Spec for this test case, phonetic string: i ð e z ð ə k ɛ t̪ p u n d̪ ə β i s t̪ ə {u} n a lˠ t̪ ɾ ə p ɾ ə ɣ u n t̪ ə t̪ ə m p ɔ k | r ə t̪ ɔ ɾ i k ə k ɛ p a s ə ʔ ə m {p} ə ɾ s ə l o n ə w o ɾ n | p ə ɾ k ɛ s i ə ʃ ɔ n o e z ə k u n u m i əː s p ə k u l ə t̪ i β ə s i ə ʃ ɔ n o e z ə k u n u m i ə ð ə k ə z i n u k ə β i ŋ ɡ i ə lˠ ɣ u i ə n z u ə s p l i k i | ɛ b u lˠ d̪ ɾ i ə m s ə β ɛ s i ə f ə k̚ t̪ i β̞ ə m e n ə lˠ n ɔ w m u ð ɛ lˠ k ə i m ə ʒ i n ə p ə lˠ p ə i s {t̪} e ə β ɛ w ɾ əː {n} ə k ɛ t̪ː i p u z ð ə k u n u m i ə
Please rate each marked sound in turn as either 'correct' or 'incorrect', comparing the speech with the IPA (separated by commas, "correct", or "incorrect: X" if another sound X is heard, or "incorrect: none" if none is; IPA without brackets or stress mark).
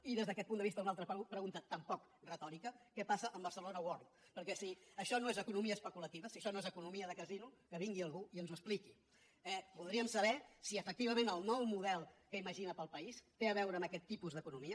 correct, incorrect: b, correct, incorrect: m